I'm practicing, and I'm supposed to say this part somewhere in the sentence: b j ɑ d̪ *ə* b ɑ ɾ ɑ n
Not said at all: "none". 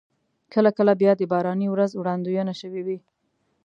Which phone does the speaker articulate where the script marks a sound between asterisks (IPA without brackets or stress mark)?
ə